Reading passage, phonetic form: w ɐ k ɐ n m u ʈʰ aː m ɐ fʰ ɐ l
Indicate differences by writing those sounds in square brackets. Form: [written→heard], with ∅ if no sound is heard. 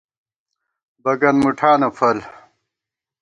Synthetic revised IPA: [w→b] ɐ [k→ɡ] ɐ n m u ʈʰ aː [m→n] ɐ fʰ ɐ l